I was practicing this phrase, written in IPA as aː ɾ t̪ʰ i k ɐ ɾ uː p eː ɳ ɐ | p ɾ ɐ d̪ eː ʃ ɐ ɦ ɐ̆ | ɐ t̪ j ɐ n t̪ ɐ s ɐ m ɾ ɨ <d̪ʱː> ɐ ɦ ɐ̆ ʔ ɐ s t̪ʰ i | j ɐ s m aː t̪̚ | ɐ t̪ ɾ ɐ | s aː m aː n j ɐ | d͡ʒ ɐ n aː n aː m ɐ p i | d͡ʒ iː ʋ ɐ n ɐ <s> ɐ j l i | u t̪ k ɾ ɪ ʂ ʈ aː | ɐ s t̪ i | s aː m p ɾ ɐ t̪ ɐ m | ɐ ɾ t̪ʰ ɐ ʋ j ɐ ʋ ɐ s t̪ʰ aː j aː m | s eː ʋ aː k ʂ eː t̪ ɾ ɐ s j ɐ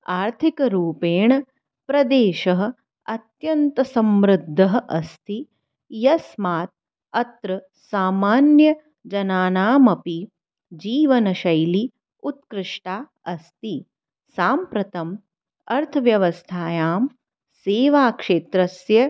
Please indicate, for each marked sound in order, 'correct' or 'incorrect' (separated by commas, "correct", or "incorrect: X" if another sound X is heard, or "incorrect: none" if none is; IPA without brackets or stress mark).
correct, incorrect: ʃ